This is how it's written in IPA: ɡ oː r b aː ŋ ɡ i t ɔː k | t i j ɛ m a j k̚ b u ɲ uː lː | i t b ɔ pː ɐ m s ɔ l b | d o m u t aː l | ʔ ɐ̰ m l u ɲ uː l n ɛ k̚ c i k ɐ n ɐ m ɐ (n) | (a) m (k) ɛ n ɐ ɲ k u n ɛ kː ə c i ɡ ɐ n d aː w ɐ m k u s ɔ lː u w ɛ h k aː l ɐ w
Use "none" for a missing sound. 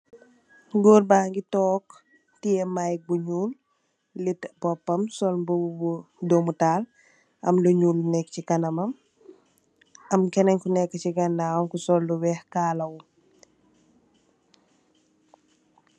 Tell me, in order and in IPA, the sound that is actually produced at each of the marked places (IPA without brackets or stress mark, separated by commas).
m, ɐ, k